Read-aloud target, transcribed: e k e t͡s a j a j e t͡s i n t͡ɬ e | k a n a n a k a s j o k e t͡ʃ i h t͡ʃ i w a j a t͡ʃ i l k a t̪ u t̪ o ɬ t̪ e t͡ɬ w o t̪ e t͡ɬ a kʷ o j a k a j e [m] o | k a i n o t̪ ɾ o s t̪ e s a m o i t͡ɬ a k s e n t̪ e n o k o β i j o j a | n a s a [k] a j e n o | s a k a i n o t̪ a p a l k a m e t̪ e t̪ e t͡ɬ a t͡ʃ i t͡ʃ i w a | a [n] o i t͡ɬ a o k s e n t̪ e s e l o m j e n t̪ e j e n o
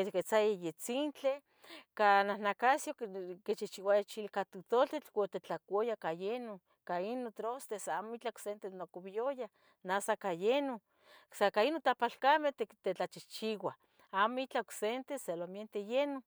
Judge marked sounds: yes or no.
no, yes, no

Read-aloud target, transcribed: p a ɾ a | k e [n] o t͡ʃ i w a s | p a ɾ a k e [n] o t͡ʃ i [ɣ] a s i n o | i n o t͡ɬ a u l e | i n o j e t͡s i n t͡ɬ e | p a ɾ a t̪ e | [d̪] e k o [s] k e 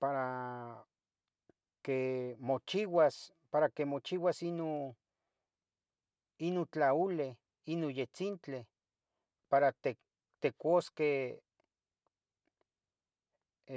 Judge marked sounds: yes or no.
no, no, no, no, yes

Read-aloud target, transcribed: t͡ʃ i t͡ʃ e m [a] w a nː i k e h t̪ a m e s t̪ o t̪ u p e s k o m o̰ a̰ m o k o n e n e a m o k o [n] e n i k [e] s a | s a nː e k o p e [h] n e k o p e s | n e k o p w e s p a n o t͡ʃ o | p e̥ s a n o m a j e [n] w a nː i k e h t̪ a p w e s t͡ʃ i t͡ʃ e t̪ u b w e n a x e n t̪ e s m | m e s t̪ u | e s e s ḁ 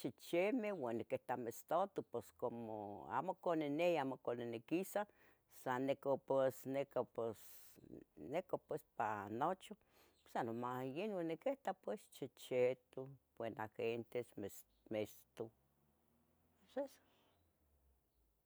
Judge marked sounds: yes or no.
no, yes, no, no, yes

